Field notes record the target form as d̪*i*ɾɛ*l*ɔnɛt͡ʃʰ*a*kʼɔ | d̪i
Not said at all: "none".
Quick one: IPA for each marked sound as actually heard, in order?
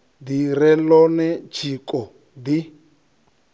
i, l, i

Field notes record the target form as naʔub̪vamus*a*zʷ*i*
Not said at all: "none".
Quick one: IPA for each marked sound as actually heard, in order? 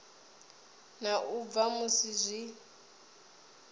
i, i

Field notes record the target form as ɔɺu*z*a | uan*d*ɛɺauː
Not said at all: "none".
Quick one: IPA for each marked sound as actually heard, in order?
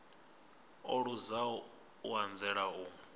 z, d͡z

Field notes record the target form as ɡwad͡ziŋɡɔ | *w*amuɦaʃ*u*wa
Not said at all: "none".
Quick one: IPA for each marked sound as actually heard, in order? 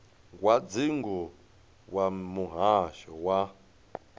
w, ɔ

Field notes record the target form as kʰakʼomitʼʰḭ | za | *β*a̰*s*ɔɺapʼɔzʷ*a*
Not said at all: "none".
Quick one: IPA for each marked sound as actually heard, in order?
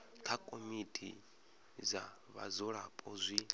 β, z, i

